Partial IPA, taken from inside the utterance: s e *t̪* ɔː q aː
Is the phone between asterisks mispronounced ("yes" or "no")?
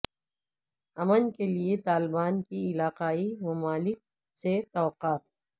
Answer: no